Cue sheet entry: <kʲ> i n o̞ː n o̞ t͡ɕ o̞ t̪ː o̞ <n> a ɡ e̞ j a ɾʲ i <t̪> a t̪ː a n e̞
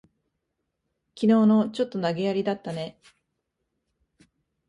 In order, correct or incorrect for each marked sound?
correct, correct, incorrect: d̪

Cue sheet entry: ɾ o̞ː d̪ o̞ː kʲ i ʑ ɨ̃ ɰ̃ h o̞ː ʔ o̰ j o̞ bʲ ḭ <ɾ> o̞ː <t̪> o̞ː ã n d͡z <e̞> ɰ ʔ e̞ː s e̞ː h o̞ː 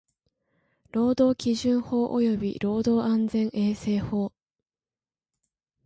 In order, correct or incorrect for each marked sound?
correct, incorrect: d̪, incorrect: ẽ̞

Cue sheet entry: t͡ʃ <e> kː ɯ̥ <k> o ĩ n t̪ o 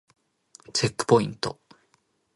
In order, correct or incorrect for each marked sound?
correct, incorrect: p

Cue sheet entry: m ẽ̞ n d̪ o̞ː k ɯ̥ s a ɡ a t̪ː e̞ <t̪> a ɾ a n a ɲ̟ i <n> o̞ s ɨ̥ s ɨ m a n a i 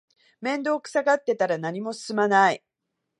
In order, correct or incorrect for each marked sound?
correct, incorrect: m

